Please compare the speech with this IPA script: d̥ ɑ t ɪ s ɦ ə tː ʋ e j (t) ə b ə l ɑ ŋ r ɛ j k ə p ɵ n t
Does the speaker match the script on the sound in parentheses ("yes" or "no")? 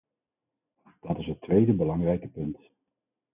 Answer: no